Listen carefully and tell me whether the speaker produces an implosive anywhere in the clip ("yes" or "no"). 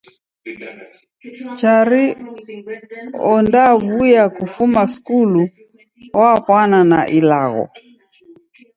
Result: no